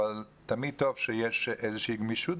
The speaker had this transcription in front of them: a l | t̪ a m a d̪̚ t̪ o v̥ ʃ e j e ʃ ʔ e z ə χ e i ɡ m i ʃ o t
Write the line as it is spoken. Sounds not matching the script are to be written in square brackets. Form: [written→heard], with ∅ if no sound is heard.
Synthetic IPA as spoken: a l | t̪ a m [a→i] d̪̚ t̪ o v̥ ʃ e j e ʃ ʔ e z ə [χ→ʃ] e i ɡ m i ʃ [o→u] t